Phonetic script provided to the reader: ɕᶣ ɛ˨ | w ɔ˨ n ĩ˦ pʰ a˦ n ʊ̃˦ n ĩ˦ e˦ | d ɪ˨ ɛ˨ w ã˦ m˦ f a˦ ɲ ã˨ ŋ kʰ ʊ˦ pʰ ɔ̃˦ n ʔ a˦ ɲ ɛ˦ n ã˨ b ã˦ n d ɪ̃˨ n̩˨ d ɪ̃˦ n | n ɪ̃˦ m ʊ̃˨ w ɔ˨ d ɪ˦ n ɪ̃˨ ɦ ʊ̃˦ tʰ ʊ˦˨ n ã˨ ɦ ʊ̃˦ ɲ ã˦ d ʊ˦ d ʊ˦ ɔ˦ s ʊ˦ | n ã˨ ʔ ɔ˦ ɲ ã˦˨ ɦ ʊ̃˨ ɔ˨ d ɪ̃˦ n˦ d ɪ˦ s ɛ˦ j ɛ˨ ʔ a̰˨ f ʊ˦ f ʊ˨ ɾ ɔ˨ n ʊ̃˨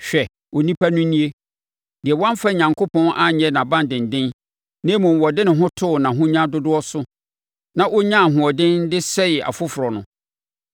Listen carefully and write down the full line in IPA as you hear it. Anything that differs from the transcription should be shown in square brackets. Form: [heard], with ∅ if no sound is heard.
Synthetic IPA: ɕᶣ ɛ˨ | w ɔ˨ n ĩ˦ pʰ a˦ n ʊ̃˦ n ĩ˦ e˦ | d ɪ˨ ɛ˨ w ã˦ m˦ f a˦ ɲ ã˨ ŋ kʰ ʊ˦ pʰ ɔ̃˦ n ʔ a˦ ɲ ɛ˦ n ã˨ b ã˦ n d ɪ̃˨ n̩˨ d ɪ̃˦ n | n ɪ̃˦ m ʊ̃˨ w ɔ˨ d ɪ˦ n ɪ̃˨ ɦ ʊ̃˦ tʰ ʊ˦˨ n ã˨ ɦ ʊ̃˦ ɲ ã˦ d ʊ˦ d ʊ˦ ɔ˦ s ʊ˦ | n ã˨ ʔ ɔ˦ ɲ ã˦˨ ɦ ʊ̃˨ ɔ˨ d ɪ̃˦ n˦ d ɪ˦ s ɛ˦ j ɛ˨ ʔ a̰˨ f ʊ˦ f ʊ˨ ɾ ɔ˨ n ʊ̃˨